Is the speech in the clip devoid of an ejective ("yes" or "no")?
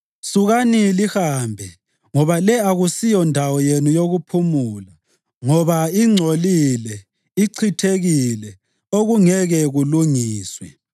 yes